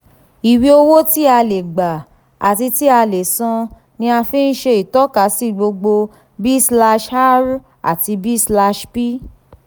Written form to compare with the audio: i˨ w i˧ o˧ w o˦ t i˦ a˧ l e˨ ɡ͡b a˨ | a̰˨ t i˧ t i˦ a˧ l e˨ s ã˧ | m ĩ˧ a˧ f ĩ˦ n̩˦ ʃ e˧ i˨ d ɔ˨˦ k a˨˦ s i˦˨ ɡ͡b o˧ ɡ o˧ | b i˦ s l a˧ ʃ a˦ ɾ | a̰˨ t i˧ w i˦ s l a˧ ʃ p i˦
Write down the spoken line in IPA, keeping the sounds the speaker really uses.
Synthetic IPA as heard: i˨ w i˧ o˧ w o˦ t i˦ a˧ l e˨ ɡ͡b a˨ | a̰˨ t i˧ t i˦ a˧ l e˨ s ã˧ | n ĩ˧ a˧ f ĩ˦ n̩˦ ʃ e˧ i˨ t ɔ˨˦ k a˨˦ s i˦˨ ɡ͡b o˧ ɡ͡b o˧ | b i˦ s l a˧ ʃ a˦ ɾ | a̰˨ t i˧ b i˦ s l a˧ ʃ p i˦